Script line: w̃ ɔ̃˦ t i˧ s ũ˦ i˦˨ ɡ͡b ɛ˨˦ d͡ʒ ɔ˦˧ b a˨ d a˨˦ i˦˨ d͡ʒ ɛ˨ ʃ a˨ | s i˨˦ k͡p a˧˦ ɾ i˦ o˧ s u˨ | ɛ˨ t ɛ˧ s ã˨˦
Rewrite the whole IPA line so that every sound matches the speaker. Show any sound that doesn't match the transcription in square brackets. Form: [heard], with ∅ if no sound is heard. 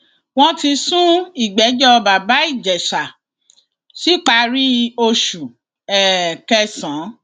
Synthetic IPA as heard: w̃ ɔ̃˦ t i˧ s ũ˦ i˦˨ ɡ͡b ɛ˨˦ d͡ʒ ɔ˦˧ b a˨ [b] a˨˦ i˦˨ d͡ʒ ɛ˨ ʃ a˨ | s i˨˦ k͡p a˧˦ ɾ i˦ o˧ [ʃ] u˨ | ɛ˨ [k] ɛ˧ s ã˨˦